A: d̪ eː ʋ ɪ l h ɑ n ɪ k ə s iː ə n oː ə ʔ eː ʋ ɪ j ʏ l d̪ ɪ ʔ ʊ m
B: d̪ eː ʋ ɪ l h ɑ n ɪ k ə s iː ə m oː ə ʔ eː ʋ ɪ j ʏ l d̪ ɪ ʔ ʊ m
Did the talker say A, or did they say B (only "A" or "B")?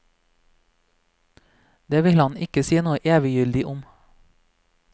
A